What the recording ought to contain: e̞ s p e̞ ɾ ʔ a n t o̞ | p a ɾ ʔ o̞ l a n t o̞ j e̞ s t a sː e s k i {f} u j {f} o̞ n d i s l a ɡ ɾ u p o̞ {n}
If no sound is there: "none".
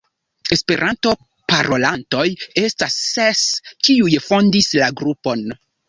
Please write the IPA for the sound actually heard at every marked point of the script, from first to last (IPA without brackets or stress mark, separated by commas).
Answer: none, f, n